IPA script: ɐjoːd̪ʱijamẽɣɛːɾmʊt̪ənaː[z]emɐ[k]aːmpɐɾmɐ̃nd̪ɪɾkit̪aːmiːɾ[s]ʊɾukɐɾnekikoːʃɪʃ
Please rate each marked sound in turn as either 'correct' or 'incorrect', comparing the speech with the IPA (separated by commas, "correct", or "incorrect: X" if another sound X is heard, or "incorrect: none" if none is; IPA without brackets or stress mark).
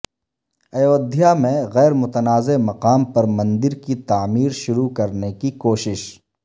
correct, incorrect: q, incorrect: ʃ